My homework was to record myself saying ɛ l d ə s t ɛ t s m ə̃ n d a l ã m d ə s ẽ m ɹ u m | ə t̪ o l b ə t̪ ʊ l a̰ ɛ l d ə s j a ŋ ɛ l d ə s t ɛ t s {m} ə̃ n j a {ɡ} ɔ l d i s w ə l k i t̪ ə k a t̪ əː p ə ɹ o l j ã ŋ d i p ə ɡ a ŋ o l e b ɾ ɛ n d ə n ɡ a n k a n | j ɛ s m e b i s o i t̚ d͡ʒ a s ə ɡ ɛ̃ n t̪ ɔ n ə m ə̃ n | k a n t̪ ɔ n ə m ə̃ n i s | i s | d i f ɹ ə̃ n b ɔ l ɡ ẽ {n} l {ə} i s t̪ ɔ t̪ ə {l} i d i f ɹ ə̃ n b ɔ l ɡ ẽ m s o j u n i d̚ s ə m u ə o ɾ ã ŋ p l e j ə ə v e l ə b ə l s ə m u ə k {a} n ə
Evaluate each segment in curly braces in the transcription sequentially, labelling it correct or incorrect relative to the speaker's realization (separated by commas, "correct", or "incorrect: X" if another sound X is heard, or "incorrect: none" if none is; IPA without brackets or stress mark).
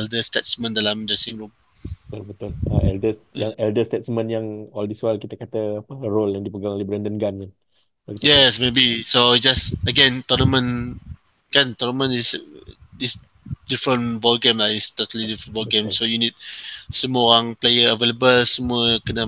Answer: correct, incorrect: ŋ, incorrect: m, incorrect: a, correct, incorrect: ə